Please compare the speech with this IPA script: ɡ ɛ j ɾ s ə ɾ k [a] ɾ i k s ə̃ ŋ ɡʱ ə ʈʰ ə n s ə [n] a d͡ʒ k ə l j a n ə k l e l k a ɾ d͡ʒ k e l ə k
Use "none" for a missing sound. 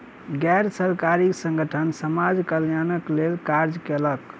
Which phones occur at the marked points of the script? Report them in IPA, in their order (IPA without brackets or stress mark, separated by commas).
a, m